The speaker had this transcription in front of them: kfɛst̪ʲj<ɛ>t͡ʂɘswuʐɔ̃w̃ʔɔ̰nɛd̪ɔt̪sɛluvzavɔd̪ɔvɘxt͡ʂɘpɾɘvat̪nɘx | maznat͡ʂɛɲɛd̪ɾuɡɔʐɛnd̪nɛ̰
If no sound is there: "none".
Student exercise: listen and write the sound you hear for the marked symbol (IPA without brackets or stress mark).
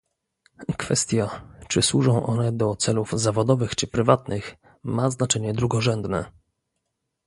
a